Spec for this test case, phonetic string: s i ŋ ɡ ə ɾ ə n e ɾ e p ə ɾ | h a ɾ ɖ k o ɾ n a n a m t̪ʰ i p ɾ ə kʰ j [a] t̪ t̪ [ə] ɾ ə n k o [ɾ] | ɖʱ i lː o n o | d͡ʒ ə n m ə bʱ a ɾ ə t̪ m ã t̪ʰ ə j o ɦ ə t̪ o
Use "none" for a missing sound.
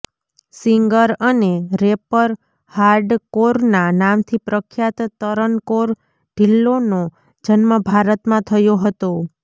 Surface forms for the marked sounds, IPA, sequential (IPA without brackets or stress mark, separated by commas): a, ə, ɾ